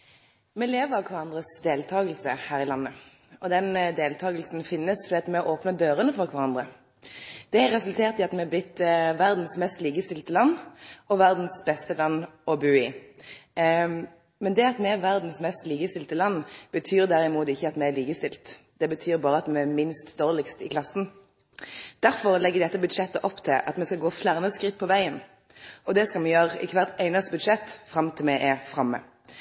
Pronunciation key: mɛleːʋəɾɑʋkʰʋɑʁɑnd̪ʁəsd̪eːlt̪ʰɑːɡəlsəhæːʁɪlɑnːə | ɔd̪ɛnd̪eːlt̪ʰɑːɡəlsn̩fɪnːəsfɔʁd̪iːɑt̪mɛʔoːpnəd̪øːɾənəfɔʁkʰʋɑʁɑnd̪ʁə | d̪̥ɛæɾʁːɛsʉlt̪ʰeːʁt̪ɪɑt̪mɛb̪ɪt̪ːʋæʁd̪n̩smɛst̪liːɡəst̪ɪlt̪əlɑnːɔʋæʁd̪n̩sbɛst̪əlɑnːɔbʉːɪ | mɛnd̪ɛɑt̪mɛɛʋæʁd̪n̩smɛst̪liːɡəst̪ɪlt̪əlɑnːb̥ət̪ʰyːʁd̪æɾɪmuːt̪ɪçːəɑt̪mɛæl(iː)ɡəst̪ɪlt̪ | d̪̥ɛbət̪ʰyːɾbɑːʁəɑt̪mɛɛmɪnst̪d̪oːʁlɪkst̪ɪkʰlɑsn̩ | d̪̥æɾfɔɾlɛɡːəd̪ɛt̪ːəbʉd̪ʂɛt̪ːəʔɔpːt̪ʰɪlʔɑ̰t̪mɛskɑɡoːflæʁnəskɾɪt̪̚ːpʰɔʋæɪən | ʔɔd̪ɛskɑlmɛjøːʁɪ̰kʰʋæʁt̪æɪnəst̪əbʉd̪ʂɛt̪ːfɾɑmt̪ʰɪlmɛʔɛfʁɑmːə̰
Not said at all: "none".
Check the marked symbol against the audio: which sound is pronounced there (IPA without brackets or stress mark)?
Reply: iː